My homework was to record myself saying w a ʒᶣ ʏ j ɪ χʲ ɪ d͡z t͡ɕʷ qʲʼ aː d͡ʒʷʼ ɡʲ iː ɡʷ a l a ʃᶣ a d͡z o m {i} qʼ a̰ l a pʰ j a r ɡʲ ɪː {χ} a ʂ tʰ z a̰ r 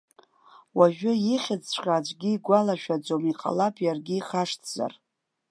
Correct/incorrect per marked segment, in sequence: correct, correct

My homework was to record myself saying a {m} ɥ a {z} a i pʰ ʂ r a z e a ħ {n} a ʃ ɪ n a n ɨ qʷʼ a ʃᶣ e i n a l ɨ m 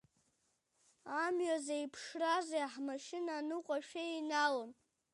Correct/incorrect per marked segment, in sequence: correct, correct, incorrect: m

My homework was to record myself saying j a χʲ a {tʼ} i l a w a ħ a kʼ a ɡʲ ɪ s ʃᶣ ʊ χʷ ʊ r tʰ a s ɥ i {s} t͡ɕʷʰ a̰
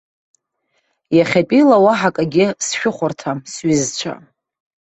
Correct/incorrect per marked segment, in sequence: incorrect: pʼ, incorrect: z

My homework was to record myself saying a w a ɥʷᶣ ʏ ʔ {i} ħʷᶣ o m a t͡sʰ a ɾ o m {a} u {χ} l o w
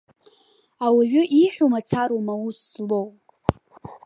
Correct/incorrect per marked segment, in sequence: correct, correct, incorrect: s

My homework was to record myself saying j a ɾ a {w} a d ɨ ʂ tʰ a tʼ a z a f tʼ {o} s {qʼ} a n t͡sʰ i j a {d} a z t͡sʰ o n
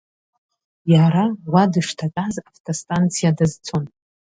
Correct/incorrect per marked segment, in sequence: correct, correct, incorrect: tʼ, correct

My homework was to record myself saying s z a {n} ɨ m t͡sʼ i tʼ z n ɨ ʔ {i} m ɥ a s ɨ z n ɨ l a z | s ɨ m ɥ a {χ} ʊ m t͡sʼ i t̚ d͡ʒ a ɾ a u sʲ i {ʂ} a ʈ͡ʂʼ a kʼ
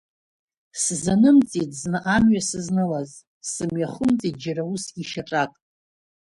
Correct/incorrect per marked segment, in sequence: correct, incorrect: a, correct, incorrect: ʃ

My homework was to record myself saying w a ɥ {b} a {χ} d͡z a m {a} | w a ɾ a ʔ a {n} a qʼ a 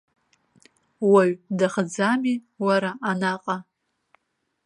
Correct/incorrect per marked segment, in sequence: incorrect: d, correct, incorrect: i, correct

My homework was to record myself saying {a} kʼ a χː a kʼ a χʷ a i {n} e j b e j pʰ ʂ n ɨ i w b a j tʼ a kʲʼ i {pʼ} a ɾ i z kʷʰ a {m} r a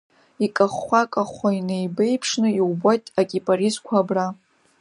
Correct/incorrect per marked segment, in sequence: incorrect: i, correct, correct, incorrect: b

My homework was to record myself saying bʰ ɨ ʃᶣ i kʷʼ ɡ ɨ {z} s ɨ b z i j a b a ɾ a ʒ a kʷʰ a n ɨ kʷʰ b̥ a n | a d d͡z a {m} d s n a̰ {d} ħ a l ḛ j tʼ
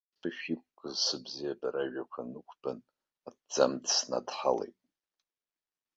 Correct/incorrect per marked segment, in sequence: correct, correct, correct

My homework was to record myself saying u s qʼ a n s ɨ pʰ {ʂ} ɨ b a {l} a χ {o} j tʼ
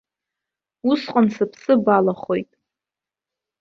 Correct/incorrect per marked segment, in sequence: incorrect: s, correct, correct

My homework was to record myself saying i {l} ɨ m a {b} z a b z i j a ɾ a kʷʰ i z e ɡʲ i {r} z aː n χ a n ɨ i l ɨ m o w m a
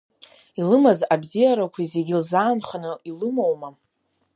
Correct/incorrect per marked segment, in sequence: correct, incorrect: none, incorrect: l

